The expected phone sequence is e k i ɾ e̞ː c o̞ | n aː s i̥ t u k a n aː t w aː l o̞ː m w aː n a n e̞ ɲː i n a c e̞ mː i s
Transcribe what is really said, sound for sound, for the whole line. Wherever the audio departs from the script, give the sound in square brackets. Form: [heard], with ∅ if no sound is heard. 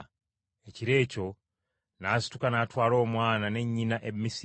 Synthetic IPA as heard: e [c] i ɾ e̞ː c o̞ | n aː s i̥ t u k a n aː t w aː l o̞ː m w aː n a n e̞ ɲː i n a [ʔ] e̞ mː i s